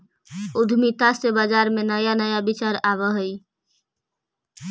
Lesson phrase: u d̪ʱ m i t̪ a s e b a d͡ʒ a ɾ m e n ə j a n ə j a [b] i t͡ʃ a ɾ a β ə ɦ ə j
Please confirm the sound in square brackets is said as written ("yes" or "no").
yes